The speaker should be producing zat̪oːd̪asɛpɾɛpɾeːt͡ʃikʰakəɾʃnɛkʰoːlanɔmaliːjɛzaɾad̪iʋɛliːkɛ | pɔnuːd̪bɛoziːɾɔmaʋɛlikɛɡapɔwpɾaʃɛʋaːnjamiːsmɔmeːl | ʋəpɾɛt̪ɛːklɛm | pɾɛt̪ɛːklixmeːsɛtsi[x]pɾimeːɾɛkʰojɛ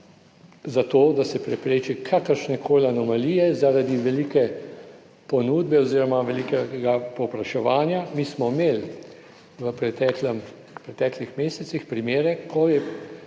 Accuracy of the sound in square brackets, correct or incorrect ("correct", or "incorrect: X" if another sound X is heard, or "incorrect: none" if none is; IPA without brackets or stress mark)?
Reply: correct